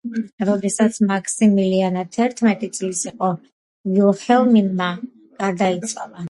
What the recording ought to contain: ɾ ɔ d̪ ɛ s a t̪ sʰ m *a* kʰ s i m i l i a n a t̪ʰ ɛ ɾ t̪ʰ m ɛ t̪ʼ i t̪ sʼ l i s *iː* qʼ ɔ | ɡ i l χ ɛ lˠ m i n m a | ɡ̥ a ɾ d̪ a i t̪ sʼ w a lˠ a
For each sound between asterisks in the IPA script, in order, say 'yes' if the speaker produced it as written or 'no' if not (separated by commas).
yes, no